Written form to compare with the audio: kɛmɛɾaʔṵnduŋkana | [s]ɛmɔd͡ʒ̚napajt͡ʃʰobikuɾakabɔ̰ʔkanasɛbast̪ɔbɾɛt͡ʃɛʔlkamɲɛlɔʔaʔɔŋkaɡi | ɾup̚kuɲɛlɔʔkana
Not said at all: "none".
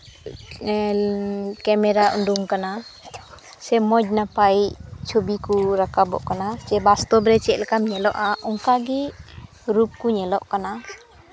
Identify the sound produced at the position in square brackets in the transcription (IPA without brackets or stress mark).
s